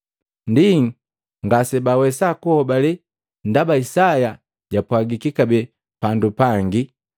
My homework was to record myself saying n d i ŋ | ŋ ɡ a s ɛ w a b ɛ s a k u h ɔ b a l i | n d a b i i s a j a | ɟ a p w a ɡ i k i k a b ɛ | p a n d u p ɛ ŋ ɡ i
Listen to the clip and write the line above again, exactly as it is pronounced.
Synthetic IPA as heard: n d i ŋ | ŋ ɡ a s ɛ b a w ɛ s a k u h ɔ b a l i | n d a b a i s a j a | ɟ a p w a ɡ i k i k a b ɛ | p a n d u p a ŋ ɡ i